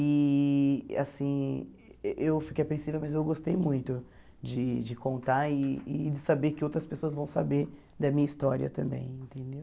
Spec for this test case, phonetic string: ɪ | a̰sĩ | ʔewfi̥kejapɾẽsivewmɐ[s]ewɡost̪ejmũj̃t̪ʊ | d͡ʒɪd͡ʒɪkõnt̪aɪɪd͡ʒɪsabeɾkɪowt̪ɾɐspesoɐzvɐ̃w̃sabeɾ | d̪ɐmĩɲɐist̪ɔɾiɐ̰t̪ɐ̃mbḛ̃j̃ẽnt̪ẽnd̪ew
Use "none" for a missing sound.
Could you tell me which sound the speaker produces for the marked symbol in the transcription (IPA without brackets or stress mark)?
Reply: z